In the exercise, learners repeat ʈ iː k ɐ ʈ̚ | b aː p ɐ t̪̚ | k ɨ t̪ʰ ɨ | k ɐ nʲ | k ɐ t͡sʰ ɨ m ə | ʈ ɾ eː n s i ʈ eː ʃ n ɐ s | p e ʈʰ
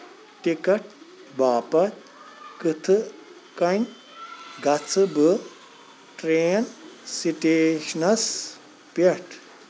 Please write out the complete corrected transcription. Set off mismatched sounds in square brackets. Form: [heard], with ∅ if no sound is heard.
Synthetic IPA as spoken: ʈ [i] k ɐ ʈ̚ | b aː p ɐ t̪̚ | k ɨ t̪ʰ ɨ | k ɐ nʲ | [ɡ] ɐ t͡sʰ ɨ [b] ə | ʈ ɾ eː n s i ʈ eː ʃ n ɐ s | p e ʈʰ